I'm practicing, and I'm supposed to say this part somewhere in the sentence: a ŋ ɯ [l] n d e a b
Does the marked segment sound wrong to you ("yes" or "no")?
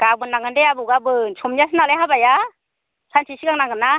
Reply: yes